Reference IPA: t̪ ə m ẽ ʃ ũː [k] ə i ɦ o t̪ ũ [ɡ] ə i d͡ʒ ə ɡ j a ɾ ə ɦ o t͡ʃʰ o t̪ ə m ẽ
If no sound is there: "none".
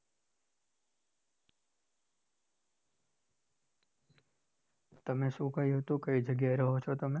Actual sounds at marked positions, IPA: k, k

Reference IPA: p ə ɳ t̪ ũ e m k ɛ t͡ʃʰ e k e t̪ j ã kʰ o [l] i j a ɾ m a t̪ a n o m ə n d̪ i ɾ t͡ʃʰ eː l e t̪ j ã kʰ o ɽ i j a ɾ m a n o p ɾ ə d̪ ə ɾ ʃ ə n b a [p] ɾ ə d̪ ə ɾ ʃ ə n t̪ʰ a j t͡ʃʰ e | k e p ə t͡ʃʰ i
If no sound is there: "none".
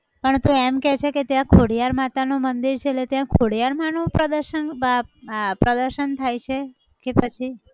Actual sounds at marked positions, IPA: ɽ, p

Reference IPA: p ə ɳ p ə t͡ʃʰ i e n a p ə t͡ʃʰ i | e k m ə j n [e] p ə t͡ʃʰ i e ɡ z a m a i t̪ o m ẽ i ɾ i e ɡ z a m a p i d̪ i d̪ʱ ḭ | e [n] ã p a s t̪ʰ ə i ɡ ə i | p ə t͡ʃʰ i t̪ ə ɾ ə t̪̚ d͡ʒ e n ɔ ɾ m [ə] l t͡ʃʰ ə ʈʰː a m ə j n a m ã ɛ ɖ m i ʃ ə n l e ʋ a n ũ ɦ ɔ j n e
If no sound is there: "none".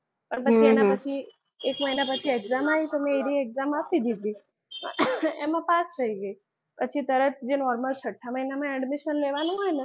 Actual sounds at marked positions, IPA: a, m, ə

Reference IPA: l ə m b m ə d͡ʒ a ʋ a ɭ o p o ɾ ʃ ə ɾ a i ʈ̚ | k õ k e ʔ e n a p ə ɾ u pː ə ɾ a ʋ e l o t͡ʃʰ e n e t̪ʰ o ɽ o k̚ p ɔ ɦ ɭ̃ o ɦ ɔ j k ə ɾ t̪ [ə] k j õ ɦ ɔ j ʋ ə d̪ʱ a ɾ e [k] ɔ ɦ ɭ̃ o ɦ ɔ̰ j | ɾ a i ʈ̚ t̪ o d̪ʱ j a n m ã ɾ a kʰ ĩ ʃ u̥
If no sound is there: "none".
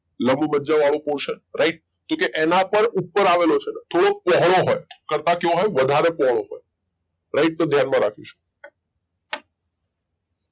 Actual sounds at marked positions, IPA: a, p

